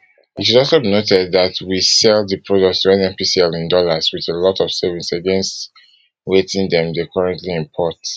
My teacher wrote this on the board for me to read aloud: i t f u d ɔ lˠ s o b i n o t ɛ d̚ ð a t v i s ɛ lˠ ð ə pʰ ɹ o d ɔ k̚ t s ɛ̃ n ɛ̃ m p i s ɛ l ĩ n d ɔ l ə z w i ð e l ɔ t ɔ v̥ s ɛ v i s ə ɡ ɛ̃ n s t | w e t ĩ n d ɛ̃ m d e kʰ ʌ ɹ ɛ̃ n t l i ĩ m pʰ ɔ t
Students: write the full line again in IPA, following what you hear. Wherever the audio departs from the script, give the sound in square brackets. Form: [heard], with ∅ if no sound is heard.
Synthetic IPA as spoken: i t [ʃ] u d ɔ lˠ s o b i n o t ɛ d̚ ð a t [w] i s ɛ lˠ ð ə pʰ ɹ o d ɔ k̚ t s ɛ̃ n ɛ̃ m p i s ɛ l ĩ n d ɔ l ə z w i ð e l ɔ t ɔ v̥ s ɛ v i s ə ɡ ɛ̃ n s t | w e t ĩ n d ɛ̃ m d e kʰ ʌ ɹ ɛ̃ n t l i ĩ m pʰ ɔ t